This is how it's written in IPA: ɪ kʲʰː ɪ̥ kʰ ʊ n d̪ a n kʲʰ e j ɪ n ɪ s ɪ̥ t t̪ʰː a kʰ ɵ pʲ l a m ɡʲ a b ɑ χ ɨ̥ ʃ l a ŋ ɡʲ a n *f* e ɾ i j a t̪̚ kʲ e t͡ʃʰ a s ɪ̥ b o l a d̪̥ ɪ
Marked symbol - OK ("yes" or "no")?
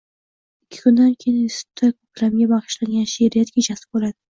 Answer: no